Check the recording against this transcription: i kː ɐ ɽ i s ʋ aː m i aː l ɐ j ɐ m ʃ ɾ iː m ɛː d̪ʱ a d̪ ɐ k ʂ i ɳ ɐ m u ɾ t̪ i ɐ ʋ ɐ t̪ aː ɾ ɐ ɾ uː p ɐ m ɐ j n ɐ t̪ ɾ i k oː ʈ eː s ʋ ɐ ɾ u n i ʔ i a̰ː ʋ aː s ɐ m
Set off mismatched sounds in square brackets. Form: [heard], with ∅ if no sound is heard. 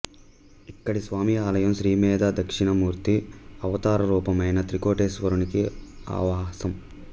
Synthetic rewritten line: i kː ɐ ɽ i s ʋ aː m i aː l ɐ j ɐ m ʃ ɾ iː m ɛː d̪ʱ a d̪ ɐ k ʂ i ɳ ɐ m [uː] ɾ t̪ i ɐ ʋ ɐ t̪ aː ɾ ɐ ɾ uː p ɐ m ɐ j n ɐ t̪ ɾ i k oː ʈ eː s ʋ ɐ ɾ u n i [k] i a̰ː ʋ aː s ɐ m